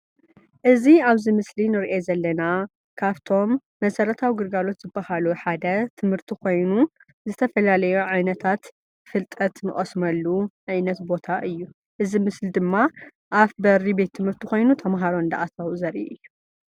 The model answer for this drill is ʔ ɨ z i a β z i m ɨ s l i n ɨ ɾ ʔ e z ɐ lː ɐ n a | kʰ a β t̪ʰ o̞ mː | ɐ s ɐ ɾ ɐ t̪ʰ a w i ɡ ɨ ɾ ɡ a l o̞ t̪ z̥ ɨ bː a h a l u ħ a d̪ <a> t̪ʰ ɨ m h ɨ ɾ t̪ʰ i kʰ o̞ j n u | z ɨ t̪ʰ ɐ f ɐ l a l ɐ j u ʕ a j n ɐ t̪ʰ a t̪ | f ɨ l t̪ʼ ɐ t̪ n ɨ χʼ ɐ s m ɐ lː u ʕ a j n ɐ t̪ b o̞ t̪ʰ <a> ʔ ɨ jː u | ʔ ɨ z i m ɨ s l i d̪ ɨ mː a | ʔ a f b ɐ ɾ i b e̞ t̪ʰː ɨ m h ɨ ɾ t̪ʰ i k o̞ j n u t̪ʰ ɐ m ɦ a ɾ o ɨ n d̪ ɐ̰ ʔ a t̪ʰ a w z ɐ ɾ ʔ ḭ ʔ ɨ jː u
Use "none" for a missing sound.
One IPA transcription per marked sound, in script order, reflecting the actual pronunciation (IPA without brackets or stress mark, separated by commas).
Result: ɐ, a